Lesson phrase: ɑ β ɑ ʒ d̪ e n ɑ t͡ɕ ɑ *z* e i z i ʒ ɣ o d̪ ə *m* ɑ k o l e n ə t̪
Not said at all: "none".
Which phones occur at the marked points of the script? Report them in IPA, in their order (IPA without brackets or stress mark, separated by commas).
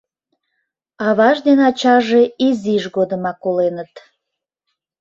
ʒ, m